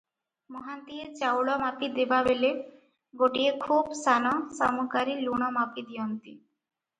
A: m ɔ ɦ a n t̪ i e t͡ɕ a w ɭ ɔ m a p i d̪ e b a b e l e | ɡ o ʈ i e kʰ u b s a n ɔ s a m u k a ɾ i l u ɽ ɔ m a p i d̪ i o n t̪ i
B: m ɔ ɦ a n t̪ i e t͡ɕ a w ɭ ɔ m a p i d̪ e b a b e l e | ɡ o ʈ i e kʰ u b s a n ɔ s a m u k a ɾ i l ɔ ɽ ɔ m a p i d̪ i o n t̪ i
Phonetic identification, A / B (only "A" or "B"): A